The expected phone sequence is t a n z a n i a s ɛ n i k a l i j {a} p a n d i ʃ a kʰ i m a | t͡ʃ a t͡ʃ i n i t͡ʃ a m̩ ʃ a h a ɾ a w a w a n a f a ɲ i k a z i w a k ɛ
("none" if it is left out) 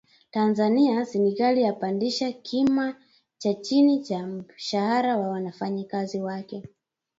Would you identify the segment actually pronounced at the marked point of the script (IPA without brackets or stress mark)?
a